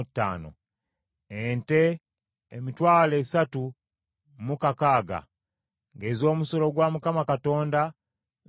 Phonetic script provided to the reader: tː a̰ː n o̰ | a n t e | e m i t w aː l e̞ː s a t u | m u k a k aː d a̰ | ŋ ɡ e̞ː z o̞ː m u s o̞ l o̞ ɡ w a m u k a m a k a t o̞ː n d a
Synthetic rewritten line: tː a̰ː n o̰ | e n t e | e m i t w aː l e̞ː s a t u | m u k a k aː ɡ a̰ | ŋ ɡ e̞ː z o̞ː m u s o̞ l o̞ ɡ w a m u k a m a k a t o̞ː n d a